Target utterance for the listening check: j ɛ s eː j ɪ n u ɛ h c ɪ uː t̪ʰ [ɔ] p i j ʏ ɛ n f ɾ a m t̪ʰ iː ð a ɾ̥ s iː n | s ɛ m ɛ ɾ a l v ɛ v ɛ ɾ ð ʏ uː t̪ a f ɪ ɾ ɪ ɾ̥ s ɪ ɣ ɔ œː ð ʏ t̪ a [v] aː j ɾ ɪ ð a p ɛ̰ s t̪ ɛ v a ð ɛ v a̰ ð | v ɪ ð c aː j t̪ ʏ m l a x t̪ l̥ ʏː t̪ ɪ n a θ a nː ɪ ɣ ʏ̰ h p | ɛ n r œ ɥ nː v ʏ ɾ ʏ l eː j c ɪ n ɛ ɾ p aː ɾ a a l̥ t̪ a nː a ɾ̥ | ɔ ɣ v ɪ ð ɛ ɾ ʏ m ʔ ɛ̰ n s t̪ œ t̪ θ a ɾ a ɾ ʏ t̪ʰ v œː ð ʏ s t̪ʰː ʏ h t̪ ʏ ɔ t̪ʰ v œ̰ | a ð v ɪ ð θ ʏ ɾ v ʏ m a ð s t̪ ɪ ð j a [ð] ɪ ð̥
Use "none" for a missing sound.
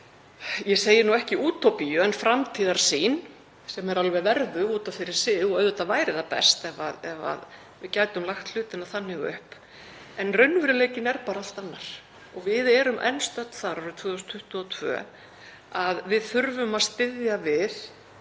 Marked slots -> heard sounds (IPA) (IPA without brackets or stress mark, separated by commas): o, v, v